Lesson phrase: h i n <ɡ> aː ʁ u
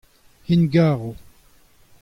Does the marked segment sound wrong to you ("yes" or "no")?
no